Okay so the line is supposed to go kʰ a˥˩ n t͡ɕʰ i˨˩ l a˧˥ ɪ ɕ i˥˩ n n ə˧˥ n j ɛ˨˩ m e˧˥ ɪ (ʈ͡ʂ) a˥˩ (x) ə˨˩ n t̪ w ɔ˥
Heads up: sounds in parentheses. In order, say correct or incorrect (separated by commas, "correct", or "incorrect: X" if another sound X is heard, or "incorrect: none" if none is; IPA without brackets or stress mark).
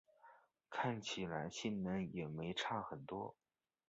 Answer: incorrect: ʈ͡ʂʰ, correct